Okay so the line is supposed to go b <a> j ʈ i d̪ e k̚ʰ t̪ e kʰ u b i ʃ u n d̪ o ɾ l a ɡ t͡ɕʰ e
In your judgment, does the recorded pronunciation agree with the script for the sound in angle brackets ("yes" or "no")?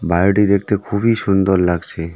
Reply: yes